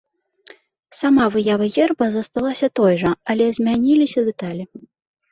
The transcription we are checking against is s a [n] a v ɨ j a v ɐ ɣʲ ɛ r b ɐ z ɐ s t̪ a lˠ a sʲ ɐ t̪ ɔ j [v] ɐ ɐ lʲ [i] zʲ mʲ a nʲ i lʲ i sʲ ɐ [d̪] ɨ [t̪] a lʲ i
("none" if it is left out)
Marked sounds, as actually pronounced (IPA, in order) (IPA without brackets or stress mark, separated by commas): m, ʐ, ɛ, d̪, t̪